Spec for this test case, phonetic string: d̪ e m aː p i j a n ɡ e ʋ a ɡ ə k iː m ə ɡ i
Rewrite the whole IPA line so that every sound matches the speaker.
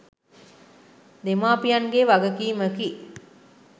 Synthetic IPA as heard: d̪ e m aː p i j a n ɡ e ʋ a ɡ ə k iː m ə k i